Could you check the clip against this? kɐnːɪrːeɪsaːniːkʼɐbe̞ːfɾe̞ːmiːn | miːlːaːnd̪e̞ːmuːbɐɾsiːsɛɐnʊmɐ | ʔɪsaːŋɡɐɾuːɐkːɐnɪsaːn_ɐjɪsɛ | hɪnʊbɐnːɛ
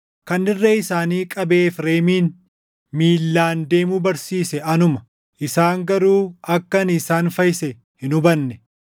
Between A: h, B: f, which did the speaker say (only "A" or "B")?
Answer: B